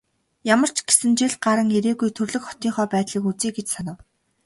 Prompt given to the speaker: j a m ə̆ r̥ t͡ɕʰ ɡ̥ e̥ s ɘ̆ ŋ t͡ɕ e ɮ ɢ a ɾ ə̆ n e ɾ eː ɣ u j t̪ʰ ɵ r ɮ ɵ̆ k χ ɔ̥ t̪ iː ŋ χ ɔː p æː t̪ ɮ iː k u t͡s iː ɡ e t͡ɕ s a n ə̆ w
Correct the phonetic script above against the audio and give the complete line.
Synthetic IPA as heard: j a m ə̆ r̥ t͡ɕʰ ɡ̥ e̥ s ɘ̆ n t͡ɕ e ɮ ɢ a ɾ ə̆ ŋ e ɾ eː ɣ u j t̪ʰ ɵ r ɮ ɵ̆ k χ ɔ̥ t̪ iː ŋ χ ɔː p æː t̪ ɮ iː k u t͡s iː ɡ e t͡ɕ s a n ə̆ w